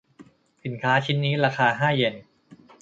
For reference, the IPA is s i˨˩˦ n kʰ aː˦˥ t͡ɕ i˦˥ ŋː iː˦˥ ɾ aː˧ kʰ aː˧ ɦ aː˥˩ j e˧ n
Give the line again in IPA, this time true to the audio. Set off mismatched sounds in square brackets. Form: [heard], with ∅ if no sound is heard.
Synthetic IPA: s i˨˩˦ n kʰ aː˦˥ [t͡ɕʰ] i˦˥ [nː] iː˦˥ ɾ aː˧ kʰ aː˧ ɦ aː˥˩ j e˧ n